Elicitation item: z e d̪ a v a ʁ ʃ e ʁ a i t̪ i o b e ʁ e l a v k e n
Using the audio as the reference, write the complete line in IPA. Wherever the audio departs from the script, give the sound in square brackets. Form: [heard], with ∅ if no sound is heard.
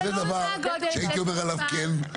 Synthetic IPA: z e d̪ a v a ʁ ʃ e [∅] a i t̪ i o [m] e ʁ [a] l a v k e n

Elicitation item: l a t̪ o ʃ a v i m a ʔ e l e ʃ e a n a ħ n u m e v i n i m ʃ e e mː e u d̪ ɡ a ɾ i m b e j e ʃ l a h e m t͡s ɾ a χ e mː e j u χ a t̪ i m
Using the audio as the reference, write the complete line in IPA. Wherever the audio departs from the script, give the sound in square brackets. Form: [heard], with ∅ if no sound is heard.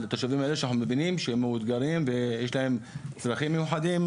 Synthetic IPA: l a t̪ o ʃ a v i m a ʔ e l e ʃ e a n a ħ n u m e v i n i m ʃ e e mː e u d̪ ɡ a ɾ i m [v] e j e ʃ l a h e m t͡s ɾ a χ [i] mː e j u [ħ] a [d̪] i m

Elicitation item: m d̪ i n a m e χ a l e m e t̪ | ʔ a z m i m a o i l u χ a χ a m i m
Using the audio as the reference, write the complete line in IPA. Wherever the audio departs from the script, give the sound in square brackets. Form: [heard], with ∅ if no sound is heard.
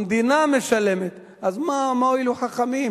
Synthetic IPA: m d̪ i n a m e [ʃ] a l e m e t̪ | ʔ a z m [a] m a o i l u [ħ] a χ a m i m

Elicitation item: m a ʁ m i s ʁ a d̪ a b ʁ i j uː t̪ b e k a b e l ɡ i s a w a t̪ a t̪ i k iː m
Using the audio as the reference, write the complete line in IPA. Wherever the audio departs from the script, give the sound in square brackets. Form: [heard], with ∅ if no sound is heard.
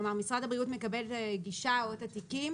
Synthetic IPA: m a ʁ m i s ʁ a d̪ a b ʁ i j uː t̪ [m] e k a b e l ɡ i [ʃ] a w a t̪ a t̪ i k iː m

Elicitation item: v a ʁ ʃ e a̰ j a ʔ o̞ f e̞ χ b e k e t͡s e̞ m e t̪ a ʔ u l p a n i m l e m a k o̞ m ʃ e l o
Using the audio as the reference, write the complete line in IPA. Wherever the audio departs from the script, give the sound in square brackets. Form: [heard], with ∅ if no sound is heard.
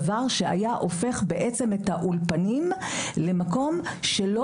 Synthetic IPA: v a ʁ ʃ e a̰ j a ʔ o̞ f e̞ χ b e [ʔ] e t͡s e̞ m e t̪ a ʔ u l p a n i m l e m a k o̞ m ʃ e l o

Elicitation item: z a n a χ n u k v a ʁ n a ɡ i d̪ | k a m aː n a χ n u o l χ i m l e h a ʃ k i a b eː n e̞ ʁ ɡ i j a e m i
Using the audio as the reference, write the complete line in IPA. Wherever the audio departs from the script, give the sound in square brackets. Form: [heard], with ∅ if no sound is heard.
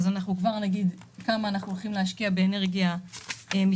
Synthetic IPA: z a n a χ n u k v a ʁ n a ɡ i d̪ | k a m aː n a χ n u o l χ i m l e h a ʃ k i a b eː n e̞ ʁ ɡ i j a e m i

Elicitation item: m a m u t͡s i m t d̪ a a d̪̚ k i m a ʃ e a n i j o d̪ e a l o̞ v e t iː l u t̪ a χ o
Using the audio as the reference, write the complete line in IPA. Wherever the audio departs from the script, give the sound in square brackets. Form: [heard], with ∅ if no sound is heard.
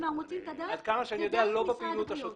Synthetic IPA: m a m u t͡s i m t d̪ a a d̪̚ k [a] m a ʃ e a n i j o d̪ e a l o̞ [b] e [p] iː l u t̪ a [ʃ] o

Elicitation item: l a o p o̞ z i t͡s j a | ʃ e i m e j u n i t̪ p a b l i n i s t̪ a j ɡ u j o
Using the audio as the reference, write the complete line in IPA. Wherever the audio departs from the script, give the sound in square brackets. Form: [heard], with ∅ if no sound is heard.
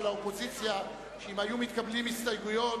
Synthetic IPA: l a o p o̞ z i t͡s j a | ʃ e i m [a] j u [m] i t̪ [k] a b l i [m] i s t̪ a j ɡ u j o

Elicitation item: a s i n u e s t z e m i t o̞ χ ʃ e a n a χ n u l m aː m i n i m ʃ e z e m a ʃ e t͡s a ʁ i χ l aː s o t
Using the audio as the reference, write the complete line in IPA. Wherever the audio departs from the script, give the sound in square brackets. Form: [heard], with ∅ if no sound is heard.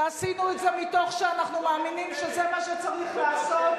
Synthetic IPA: a s i n u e [∅] t z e m i t o̞ χ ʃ e a n a χ n u [∅] m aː m i n i m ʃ e z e m a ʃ e t͡s a ʁ i χ l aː s o t

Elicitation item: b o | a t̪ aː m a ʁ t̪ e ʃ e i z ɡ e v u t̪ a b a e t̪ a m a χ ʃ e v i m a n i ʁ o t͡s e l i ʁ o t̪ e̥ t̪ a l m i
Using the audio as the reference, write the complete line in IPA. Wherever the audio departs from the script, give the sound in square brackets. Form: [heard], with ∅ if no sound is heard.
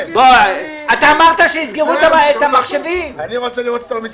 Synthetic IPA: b o | a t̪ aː m a ʁ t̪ [a] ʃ e i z ɡ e [ʁ] u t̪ a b a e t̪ a m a χ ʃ e v i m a n i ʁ o t͡s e l i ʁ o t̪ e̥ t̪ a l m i

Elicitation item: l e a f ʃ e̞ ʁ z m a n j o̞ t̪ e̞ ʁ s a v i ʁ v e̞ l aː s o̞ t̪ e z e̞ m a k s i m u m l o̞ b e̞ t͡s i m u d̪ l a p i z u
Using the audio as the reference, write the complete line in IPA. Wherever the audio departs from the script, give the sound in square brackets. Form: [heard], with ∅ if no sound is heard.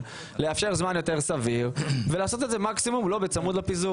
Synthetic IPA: l e a f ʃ e̞ ʁ z m a n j o̞ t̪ e̞ ʁ s a v i ʁ v e̞ l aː s o̞ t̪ e z e̞ m a k s i m u m l o̞ b e̞ t͡s [a] m u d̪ l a p i z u

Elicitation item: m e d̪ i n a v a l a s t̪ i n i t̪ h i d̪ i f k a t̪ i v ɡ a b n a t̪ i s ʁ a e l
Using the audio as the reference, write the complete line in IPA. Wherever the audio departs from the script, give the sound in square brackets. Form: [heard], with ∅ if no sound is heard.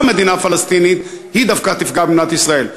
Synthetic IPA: m e d̪ i n a [f] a l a s t̪ i n i t̪ h i d̪ [a] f k a t̪ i [f] ɡ a b n a t̪ i s ʁ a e l

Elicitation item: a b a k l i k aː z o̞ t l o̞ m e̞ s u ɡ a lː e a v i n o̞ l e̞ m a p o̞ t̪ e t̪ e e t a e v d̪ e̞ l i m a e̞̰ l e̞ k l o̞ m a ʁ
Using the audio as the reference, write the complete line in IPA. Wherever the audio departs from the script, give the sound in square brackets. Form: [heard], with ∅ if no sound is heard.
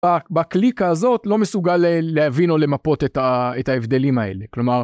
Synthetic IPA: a b a k l i k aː z o̞ t l o̞ m e̞ s u ɡ a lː e a v i n o̞ l e̞ m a p o̞ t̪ e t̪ [a] e t a e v d̪ e̞ l i m a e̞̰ l e̞ k l o̞ m a ʁ

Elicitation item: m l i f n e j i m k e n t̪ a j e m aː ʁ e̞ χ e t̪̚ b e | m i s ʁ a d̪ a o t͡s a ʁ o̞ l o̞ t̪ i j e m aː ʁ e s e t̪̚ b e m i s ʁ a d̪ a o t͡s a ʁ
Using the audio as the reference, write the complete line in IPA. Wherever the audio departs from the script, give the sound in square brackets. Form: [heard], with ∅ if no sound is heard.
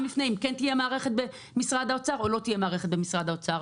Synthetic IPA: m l i f n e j i m k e n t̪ [i] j e m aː ʁ e̞ χ e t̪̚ b e | m i s ʁ a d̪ a o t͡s a ʁ o̞ l o̞ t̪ i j e m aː ʁ e [χ] e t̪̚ b e m i s ʁ a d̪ a o t͡s a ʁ

